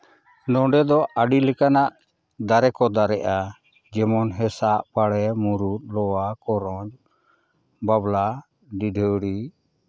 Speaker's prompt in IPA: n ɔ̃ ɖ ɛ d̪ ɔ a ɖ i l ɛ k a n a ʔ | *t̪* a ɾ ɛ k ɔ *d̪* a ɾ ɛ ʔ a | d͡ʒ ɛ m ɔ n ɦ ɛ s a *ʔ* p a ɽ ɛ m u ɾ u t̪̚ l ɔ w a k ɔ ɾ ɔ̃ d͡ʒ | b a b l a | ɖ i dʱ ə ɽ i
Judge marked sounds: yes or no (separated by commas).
no, yes, yes